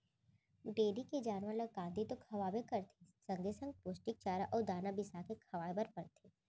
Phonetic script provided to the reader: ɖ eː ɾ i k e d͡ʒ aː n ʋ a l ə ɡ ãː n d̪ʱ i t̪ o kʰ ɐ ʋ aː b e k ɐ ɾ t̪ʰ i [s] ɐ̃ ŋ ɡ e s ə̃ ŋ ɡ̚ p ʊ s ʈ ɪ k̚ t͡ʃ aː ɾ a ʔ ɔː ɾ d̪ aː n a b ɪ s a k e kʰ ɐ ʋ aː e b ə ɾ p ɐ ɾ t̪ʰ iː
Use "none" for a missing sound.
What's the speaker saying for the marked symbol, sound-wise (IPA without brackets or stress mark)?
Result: s